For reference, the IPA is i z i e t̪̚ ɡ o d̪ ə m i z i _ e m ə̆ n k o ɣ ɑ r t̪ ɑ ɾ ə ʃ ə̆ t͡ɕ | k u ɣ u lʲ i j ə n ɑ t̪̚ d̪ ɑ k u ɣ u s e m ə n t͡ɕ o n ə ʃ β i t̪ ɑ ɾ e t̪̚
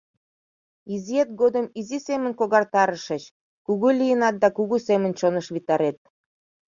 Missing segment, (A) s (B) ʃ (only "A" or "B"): A